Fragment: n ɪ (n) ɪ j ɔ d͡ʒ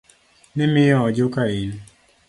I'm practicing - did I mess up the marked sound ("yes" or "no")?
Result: yes